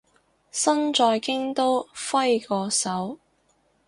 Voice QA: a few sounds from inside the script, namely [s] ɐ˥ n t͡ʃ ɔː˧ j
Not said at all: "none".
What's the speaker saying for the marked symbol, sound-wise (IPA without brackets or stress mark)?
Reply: s